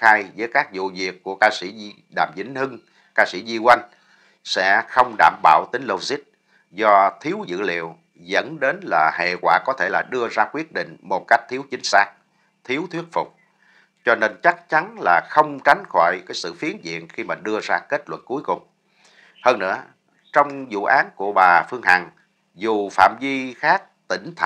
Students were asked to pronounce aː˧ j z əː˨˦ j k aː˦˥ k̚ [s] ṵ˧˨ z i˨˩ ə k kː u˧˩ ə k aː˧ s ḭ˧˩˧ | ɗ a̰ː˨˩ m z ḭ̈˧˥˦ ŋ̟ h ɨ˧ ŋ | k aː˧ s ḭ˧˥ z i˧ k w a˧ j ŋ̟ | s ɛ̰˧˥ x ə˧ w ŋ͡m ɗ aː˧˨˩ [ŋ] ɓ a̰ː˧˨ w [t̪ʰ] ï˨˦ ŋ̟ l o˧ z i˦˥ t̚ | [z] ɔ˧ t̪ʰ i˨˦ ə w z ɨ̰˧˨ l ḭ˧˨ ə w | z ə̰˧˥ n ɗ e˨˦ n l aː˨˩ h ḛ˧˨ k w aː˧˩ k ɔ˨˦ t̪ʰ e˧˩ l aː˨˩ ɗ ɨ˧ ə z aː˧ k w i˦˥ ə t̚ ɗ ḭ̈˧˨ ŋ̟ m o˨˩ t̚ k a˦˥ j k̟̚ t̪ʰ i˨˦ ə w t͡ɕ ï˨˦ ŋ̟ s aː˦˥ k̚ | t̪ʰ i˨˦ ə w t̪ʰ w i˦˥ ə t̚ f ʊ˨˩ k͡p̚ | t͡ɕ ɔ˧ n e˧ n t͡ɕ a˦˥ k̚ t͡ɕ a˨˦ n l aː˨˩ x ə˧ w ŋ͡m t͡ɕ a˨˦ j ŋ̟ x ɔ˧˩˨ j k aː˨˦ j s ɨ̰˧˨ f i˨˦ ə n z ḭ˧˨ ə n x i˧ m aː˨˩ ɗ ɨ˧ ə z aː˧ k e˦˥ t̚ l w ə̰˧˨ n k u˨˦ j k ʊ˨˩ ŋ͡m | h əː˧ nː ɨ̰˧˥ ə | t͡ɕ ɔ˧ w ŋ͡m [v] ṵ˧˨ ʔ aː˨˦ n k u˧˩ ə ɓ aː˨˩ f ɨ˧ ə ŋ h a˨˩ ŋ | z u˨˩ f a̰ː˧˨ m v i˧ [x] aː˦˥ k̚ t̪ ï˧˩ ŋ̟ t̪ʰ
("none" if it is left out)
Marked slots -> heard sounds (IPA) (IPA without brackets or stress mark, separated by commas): z, m, t̪, z, z, x